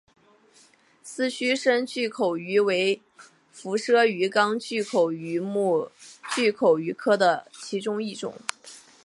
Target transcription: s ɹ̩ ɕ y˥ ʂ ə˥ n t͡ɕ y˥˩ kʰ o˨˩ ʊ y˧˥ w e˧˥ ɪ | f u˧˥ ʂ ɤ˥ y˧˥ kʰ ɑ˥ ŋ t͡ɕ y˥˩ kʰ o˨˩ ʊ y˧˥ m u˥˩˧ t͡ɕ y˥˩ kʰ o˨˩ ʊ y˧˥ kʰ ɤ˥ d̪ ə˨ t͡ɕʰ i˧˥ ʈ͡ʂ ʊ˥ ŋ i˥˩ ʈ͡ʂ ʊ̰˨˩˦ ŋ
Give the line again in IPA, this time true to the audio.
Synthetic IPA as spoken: s ɹ̩ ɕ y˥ ʂ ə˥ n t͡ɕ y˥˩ kʰ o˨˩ ʊ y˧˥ w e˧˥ ɪ | f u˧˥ ʂ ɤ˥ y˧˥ k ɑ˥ ŋ t͡ɕ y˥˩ kʰ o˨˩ ʊ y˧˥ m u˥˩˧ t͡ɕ y˥˩ kʰ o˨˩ ʊ y˧˥ kʰ ɤ˥ d̪ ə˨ t͡ɕʰ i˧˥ ʈ͡ʂ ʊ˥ ŋ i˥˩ ʈ͡ʂ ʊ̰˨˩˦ ŋ

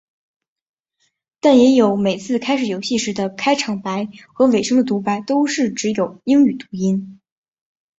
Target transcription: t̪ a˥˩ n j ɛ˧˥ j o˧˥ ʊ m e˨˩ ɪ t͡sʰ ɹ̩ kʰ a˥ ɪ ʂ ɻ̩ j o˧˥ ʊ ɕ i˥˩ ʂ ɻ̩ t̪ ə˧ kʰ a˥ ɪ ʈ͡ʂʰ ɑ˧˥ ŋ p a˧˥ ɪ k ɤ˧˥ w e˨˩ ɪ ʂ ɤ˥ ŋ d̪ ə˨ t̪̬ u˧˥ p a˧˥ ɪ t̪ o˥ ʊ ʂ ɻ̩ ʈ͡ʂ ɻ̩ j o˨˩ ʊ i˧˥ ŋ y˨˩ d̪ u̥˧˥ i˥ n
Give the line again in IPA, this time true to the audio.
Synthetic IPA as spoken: t̪ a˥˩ n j ɛ˧˥ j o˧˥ ʊ m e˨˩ ɪ t͡sʰ ɹ̩ kʰ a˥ ɪ ʂ ɻ̩ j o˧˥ ʊ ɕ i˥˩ ʂ ɻ̩ d̪ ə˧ kʰ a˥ ɪ ʈ͡ʂʰ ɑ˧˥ ŋ p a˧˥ ɪ x ɤ˧˥ w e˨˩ ɪ ʂ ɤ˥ ŋ d̪ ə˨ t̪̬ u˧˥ p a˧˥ ɪ t̪ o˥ ʊ ʂ ɻ̩ ʈ͡ʂ ɻ̩ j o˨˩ ʊ i˥ ŋ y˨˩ t̪ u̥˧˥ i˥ n

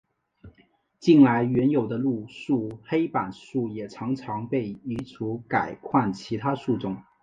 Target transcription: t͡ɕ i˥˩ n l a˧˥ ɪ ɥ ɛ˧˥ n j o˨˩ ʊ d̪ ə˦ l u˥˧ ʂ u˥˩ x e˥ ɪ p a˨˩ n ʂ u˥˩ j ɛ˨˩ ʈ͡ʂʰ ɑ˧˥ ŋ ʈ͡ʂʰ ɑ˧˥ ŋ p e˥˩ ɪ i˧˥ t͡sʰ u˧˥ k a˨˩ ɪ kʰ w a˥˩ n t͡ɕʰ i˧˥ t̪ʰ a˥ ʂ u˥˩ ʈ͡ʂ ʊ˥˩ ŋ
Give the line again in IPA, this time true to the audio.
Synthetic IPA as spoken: t͡ɕ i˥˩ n l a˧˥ ɪ ɥ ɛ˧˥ n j o˨˩ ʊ d̪ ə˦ l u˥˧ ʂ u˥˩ x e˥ ɪ p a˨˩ n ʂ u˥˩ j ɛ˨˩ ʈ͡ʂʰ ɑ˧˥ ŋ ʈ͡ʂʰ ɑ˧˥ ŋ p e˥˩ ɪ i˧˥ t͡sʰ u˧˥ k a˨˩ ɪ kʰ w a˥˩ n t͡ɕʰ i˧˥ t̪ʰ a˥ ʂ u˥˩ ʈ͡ʂ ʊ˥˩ ŋ

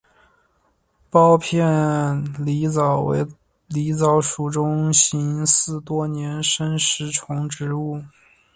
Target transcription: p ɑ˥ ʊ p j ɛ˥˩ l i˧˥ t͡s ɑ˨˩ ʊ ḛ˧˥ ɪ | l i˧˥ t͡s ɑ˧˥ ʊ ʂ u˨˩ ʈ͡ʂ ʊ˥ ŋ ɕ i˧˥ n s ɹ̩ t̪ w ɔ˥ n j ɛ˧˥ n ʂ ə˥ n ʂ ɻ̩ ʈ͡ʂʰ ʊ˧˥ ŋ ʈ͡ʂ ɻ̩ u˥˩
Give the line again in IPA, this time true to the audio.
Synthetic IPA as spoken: p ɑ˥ ʊ pʰ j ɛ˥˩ l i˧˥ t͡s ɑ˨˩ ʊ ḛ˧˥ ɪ | l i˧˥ t͡s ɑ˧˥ ʊ ʂ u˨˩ ʈ͡ʂ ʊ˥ ŋ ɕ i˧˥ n s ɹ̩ t̪ w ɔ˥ n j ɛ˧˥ n ʂ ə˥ n ʂ ɻ̩ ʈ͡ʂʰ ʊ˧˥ ŋ ʈ͡ʂ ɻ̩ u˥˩

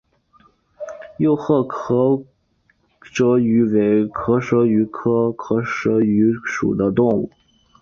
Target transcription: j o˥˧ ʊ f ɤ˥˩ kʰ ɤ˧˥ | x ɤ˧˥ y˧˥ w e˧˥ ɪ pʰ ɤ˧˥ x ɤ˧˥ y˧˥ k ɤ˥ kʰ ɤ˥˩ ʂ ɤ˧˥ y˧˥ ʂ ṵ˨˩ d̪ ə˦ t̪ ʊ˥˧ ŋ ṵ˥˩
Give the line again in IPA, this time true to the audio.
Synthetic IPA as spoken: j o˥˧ ʊ x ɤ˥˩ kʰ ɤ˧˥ | ʂ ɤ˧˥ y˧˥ w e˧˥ ɪ kʰ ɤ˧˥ ʂ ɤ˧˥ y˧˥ kʰ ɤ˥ kʰ ɤ˧˥ ʂ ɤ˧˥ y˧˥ ʂ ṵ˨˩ d̪ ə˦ t̪ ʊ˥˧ ŋ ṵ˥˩

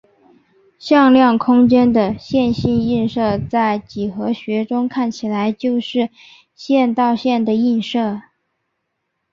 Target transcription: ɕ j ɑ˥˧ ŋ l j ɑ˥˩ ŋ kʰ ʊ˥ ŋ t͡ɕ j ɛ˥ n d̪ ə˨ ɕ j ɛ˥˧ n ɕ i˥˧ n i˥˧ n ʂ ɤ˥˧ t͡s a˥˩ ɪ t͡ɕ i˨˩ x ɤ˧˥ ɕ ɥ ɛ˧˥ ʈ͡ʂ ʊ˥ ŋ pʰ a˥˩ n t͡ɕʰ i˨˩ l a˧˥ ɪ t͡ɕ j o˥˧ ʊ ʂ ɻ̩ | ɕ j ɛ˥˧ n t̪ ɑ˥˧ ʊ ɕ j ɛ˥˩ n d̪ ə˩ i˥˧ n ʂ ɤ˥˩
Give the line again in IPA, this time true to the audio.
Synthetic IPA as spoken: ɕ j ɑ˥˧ ŋ l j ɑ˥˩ ŋ kʰ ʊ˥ ŋ t͡ɕ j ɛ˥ n d̪ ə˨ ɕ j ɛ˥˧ n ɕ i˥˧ n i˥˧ n ʂ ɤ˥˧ t͡s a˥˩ ɪ t͡ɕ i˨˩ x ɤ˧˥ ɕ ɥ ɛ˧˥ ʈ͡ʂ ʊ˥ ŋ kʰ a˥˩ n t͡ɕʰ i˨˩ l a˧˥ ɪ t͡ɕ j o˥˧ ʊ ʂ ɻ̩ | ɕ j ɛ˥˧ n t̪ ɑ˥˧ ʊ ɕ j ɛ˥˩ n d̪ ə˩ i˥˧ n ʂ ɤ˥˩

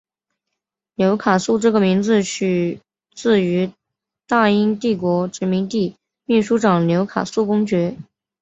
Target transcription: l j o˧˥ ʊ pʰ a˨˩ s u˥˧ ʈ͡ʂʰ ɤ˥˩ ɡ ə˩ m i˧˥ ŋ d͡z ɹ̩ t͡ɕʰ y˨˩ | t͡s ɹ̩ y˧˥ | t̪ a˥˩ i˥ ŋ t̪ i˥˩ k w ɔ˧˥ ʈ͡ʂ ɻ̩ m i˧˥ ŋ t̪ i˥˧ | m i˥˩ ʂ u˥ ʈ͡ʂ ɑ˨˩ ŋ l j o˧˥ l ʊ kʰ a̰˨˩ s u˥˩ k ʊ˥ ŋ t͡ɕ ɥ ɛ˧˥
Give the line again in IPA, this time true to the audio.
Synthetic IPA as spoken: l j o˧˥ ʊ kʰ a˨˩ s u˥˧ ʈ͡ʂ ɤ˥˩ ɡ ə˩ m i˧˥ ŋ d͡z ɹ̩ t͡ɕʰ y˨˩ | t͡s ɹ̩ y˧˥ | t̪ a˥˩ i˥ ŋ t̪ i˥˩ k w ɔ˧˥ ʈ͡ʂ ɻ̩ m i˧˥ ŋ t̪ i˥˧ | m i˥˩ ʂ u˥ ʈ͡ʂ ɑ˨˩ ŋ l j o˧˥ ʊ kʰ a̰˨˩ s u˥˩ k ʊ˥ ŋ t͡ɕ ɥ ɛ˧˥

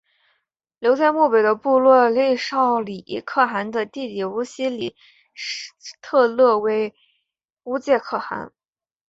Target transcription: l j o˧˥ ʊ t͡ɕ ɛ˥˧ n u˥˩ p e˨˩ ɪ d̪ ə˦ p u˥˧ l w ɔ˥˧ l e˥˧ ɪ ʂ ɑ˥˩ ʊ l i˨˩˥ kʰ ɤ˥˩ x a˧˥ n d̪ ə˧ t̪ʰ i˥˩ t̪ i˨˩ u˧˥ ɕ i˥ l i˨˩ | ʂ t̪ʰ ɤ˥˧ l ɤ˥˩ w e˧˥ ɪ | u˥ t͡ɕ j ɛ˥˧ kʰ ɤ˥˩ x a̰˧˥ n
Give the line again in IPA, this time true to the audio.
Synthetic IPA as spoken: l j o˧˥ ʊ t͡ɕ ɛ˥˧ m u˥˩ p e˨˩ ɪ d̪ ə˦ p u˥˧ l w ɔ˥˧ l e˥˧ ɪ ʂ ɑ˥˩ ʊ l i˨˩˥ kʰ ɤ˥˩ x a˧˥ n d̪ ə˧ t̪ i˥˩ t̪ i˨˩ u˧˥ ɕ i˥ l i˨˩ | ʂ t̪ʰ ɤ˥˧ l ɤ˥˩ w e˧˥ ɪ | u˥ t͡ɕ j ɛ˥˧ kʰ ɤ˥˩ x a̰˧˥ n

